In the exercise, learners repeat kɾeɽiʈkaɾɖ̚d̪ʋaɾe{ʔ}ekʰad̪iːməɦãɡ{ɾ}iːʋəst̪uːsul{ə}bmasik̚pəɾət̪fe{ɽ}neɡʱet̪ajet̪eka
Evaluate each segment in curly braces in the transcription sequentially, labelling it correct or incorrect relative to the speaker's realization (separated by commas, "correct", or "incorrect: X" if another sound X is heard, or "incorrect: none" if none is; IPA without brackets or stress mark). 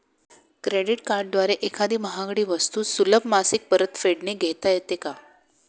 correct, incorrect: ɽ, correct, correct